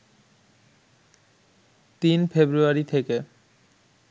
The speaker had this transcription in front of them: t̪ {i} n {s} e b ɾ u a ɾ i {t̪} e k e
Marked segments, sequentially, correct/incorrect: correct, incorrect: f, incorrect: t̪ʰ

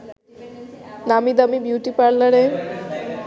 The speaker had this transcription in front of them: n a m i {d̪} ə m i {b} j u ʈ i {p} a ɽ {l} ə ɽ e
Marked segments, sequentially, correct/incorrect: correct, correct, correct, correct

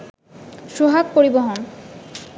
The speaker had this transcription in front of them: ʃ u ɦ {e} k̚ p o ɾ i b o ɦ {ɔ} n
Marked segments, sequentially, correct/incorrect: incorrect: a, incorrect: o

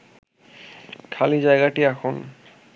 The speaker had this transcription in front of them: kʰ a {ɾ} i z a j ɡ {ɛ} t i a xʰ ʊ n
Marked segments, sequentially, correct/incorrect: incorrect: l, incorrect: a

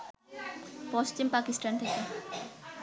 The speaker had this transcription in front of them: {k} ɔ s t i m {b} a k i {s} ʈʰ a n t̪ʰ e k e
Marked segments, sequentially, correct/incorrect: incorrect: p, incorrect: p, correct

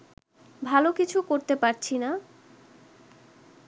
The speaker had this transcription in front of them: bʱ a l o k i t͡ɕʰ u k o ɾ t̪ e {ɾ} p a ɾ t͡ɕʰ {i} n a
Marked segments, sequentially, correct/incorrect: incorrect: none, correct

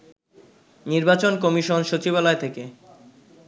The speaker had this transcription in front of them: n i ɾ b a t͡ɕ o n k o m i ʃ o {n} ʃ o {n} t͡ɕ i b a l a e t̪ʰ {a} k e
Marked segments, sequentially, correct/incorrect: correct, incorrect: none, incorrect: e

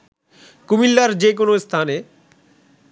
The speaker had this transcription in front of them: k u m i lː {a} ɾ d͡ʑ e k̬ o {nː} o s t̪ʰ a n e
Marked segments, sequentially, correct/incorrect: correct, incorrect: n

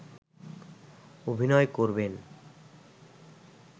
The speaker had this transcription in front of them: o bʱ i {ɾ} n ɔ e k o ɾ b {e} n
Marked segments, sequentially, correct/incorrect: incorrect: none, correct

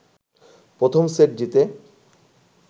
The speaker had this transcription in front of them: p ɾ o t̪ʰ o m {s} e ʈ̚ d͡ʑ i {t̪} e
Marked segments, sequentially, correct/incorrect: correct, correct

